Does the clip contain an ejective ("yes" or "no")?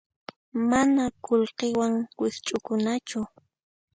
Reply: yes